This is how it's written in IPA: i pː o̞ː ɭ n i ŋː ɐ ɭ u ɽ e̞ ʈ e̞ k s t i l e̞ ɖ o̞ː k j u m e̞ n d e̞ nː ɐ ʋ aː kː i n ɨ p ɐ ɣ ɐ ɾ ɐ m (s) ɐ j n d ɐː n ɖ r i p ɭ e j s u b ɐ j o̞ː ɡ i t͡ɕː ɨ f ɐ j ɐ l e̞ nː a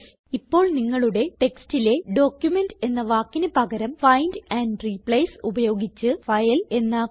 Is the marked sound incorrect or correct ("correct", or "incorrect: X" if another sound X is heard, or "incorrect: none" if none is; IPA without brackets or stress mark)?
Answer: incorrect: f